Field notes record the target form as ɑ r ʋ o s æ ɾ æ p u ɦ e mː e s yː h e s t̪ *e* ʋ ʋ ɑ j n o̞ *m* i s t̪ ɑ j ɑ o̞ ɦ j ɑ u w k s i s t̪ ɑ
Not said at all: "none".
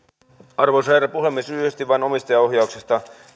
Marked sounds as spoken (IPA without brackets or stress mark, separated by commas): i, m